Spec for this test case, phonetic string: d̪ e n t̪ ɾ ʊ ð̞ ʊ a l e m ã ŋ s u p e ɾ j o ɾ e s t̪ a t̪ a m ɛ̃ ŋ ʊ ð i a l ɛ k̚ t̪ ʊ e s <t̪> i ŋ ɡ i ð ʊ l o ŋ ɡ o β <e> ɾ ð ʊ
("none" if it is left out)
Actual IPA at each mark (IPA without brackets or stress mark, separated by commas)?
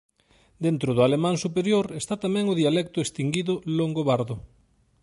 t̪, a